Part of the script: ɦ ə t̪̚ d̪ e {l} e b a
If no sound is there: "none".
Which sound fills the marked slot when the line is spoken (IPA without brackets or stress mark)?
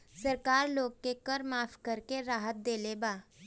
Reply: l